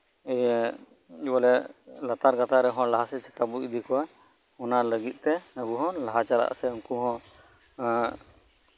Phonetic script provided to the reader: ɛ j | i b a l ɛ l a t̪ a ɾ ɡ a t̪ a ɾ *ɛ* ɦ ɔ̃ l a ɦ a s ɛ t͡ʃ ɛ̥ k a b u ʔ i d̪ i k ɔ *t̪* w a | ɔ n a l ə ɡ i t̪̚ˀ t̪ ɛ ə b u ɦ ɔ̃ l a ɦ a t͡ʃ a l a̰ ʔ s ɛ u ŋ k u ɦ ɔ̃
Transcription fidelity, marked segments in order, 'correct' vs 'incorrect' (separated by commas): correct, incorrect